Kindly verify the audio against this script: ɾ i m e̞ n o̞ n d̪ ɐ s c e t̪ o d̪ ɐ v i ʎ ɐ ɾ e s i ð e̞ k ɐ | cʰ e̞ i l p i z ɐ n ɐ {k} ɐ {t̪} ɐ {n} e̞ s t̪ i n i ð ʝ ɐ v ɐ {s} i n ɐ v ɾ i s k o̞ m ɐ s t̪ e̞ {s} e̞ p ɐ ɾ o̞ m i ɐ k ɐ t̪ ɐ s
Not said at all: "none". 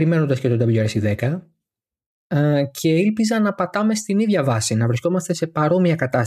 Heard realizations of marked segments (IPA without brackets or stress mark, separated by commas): p, t̪, m, s, s